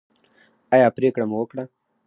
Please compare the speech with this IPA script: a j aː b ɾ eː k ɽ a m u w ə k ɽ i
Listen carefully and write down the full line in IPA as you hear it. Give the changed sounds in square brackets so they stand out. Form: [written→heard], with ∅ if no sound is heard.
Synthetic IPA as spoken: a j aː [b→p] ɾ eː k ɽ a m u w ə k ɽ [i→a]